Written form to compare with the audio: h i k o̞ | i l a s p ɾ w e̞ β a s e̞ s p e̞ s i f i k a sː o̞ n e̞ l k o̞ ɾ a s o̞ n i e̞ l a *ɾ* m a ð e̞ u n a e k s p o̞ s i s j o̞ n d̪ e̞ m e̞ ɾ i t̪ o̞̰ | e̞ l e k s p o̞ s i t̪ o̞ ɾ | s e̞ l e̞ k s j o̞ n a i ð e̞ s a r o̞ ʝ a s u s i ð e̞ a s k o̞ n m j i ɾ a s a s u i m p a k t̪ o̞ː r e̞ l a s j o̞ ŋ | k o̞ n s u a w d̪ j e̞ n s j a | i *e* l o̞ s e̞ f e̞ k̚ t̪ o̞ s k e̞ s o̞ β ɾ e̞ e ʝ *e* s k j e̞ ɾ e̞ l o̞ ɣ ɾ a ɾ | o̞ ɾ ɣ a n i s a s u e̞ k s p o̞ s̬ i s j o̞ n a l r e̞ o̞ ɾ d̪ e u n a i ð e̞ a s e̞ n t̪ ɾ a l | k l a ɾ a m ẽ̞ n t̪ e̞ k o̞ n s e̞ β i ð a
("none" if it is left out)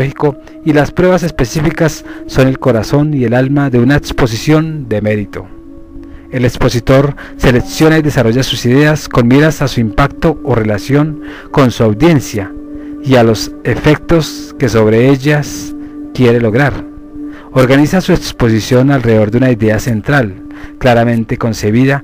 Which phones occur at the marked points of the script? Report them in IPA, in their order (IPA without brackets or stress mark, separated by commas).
l, a, a